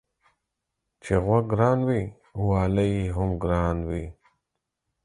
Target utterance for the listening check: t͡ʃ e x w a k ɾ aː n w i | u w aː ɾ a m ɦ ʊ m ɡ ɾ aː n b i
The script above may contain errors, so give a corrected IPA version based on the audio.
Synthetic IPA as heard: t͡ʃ e ɣ w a ɡ ɾ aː n w i | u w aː l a ɦ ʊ m ɡ ɾ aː n w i